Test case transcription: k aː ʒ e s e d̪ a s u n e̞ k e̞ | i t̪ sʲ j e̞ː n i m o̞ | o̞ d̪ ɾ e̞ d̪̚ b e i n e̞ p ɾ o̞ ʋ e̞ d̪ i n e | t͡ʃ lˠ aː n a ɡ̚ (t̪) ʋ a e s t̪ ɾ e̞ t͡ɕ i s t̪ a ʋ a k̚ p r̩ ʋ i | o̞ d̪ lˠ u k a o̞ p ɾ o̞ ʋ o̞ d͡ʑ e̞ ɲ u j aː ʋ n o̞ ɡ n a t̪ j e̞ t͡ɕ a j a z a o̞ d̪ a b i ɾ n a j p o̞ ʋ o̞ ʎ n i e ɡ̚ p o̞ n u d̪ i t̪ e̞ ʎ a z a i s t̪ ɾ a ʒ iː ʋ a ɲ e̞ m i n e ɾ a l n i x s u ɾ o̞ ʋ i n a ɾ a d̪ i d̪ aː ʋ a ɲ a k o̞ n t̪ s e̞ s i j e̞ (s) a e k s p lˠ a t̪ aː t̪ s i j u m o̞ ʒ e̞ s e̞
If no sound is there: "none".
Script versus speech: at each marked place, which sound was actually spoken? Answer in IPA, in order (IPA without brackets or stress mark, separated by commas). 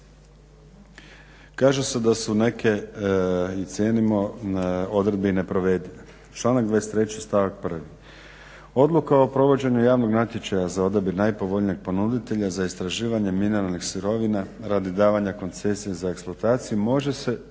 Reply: d̪, z